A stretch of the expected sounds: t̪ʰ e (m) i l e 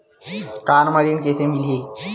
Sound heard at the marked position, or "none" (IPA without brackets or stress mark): m